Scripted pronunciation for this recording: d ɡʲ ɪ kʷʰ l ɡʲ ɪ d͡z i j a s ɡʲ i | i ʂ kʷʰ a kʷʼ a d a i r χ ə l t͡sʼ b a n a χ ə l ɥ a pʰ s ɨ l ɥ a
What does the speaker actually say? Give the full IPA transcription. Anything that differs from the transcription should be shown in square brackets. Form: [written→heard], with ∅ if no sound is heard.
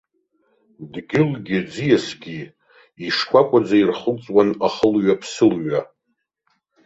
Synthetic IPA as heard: d ɡʲ ɪ [kʷʰ→∅] l ɡʲ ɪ d͡z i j a s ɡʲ i | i ʂ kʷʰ a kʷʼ a [d→d͡z] a i r χ ə l t͡sʼ [b→w] a n a χ ə l ɥ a pʰ s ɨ l ɥ a